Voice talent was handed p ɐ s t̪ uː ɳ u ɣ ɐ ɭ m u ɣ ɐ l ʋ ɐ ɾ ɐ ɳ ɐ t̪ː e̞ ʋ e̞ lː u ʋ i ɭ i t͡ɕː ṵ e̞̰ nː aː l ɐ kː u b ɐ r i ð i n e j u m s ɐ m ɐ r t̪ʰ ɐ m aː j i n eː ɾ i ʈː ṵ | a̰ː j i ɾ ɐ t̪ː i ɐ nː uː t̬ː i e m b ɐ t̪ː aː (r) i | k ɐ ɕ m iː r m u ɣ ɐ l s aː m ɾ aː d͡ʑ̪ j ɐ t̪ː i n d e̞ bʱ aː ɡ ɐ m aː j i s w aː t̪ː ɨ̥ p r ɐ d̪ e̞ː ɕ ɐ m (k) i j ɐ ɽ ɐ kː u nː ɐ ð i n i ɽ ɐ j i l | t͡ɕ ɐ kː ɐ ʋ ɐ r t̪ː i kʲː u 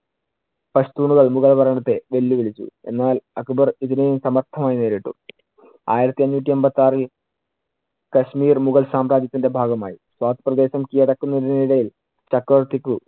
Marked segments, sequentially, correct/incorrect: correct, correct

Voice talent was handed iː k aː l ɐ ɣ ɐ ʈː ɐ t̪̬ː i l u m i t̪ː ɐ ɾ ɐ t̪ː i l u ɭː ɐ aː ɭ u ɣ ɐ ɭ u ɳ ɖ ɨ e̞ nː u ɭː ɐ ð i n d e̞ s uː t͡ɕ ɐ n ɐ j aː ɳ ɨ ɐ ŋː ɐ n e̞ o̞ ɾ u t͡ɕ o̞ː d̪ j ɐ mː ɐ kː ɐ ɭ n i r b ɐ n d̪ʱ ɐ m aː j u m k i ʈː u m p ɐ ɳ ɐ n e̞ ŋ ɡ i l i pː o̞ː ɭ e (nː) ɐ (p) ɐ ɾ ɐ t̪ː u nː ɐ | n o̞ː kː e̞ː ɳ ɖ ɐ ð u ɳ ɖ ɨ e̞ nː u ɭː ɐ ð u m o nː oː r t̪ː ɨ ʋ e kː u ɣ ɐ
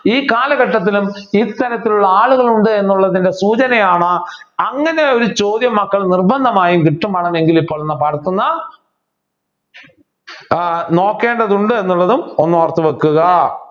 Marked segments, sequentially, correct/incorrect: correct, correct

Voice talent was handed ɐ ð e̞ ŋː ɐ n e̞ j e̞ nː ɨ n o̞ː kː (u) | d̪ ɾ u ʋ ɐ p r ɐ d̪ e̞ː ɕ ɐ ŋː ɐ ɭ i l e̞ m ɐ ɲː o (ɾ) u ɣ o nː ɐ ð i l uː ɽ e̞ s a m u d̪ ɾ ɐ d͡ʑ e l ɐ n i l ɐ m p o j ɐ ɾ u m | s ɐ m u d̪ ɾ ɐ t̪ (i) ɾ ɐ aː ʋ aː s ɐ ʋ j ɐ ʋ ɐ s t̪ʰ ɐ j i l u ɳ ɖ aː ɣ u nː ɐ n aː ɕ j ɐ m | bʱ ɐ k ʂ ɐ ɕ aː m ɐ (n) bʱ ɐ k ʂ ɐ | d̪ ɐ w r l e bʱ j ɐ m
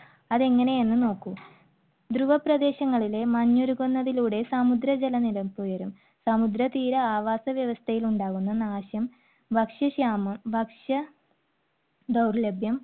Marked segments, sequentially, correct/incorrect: correct, correct, incorrect: iː, incorrect: m

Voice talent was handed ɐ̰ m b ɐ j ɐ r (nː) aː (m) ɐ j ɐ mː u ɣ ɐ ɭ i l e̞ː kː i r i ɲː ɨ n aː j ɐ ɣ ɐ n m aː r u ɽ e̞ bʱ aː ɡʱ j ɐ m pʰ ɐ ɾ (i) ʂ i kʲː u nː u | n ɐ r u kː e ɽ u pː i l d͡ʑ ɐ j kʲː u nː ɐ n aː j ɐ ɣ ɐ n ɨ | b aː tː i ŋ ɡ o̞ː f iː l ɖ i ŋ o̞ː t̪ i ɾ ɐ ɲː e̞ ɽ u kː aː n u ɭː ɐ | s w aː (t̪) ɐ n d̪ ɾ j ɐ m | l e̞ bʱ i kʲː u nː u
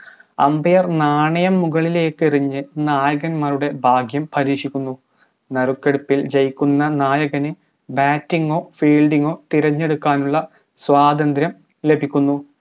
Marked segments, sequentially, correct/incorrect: incorrect: n, incorrect: ɳ, incorrect: iː, incorrect: d̪

